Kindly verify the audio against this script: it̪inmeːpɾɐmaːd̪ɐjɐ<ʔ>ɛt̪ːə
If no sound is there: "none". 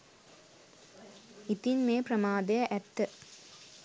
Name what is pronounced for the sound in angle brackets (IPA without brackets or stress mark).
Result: ʔ